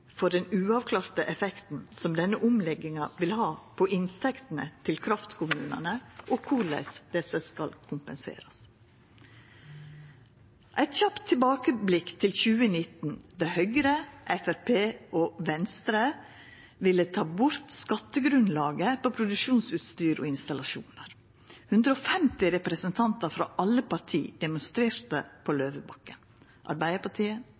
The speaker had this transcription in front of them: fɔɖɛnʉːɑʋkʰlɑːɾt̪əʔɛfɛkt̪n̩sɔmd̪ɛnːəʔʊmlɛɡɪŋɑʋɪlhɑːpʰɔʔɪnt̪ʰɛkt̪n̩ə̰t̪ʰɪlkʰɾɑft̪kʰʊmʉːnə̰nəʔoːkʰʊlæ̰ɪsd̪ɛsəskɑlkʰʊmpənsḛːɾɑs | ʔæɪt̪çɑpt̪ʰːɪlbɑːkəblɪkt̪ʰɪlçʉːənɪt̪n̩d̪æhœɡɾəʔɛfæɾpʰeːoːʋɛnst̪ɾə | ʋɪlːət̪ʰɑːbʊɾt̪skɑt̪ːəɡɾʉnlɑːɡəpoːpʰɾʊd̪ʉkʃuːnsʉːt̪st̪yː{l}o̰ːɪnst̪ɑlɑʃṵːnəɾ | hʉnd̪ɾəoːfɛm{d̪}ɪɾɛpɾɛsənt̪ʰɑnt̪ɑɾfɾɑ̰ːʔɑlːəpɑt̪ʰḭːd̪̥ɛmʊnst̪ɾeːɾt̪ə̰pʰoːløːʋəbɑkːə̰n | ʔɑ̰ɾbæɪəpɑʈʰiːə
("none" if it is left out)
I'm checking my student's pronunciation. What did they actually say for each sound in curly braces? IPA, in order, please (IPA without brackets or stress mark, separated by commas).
ɾ, t̪